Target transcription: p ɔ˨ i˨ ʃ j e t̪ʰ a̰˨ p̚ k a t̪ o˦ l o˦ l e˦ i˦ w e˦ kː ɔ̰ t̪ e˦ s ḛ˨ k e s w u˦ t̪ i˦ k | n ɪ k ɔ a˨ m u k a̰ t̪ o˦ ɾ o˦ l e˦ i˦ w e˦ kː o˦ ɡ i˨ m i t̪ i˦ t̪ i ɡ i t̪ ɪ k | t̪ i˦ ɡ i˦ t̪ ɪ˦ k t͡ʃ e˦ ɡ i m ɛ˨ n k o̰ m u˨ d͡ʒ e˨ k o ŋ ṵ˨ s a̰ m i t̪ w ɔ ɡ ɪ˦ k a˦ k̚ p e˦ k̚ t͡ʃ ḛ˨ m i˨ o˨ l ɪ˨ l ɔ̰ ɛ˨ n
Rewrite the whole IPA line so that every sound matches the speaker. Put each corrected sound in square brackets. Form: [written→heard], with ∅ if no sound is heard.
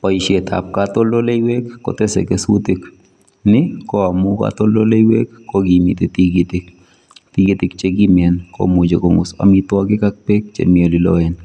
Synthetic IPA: p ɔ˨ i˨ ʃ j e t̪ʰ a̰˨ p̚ k a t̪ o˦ l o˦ l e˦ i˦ w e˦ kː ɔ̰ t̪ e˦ s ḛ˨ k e s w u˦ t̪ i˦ k | n ɪ k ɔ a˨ m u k a̰ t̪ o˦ [ɾ→l] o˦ l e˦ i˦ w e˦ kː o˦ ɡ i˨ m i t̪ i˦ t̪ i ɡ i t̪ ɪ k | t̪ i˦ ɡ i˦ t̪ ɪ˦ k t͡ʃ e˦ ɡ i m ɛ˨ n k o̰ m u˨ d͡ʒ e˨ k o ŋ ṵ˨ s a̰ m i t̪ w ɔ ɡ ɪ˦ k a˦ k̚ p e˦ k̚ t͡ʃ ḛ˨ m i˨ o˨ l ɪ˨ l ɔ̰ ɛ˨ n